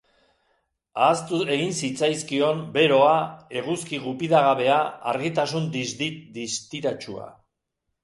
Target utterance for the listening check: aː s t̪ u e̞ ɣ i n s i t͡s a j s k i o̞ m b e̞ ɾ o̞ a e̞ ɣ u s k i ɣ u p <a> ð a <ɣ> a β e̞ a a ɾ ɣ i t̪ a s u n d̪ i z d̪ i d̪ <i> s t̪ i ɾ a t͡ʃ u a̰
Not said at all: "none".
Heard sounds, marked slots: i, ɣ, i

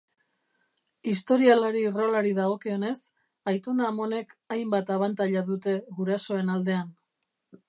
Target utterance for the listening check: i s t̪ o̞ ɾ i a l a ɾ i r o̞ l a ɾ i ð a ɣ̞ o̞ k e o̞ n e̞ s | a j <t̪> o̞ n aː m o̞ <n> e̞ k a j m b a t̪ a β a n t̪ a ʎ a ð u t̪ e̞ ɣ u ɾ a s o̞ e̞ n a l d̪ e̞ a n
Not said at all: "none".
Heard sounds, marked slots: t̪, n

